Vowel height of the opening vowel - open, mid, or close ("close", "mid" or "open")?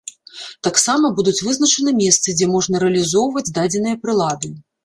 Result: open